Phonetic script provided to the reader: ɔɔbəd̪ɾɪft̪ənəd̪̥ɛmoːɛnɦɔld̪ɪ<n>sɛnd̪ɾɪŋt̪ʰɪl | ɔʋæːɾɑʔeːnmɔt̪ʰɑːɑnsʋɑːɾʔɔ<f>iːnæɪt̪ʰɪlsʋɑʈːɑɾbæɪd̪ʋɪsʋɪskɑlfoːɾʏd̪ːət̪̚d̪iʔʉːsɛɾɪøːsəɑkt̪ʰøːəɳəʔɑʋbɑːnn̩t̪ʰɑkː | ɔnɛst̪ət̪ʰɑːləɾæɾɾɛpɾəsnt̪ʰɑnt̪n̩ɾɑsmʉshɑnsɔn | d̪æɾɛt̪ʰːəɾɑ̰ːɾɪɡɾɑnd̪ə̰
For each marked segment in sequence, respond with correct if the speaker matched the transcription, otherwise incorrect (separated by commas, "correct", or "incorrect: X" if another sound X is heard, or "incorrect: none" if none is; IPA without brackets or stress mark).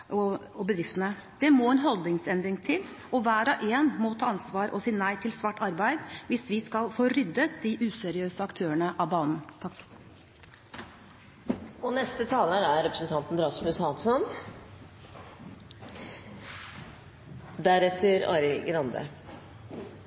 incorrect: ŋ, incorrect: s